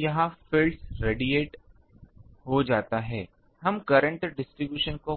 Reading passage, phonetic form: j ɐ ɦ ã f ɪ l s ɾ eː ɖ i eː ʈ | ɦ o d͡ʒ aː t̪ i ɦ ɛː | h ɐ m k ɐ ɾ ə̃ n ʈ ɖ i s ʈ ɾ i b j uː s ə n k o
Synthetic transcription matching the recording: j ɐ ɦ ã f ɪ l s ɾ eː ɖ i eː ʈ | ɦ o d͡ʒ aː t̪ a ɦ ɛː | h ɐ m k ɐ ɾ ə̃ ɳ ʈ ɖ ɪ s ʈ ɾ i b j uː ʃ ə n k o